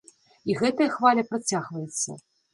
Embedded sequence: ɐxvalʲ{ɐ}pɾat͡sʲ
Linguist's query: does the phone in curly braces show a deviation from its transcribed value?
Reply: no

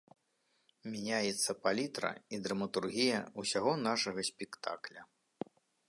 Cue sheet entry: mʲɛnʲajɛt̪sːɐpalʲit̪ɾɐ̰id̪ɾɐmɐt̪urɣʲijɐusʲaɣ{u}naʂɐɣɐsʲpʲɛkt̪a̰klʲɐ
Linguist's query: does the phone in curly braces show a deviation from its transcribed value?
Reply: yes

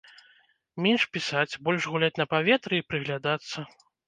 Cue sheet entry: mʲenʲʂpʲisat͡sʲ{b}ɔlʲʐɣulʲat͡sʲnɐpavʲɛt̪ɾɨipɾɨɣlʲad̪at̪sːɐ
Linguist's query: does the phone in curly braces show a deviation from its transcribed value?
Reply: no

